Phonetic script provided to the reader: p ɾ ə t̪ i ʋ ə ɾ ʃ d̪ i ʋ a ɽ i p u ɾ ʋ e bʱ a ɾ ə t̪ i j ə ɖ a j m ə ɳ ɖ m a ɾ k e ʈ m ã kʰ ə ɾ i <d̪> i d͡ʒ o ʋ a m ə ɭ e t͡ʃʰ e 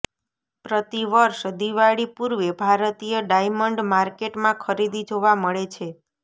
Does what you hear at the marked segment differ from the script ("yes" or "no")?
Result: no